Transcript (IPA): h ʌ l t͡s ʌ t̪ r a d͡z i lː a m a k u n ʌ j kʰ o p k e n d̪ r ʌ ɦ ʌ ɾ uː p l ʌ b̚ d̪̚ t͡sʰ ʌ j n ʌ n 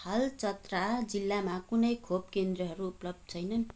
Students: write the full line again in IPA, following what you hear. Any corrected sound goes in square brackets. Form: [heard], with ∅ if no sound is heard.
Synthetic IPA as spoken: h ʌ l t͡s ʌ t̪ r a d͡z i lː a m a k u n ʌ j kʰ o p k e n d̪ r ʌ ɦ ʌ ɾ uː p l ʌ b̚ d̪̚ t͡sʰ ʌ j n ʌ n